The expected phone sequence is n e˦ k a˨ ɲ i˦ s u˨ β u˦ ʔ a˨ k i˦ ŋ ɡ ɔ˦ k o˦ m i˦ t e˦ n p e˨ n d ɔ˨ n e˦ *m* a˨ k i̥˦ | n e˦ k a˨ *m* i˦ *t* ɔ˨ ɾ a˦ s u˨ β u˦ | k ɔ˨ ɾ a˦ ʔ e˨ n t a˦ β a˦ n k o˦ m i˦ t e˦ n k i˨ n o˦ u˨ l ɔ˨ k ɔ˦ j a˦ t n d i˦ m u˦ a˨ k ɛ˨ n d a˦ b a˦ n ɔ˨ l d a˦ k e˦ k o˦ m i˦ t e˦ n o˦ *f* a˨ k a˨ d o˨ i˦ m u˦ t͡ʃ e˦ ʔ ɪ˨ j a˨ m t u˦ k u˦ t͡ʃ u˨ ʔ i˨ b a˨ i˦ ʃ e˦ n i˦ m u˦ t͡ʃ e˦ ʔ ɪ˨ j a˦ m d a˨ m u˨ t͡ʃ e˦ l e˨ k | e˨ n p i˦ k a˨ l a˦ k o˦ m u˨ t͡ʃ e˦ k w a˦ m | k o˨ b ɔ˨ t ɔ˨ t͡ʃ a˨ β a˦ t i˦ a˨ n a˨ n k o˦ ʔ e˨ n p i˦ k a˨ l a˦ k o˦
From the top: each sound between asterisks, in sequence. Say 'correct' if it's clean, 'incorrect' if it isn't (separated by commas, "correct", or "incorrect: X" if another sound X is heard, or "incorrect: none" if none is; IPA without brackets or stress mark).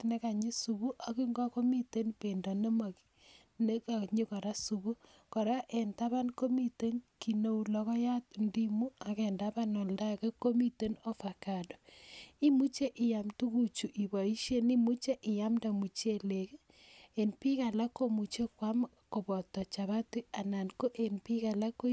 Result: correct, incorrect: ɲ, incorrect: k, correct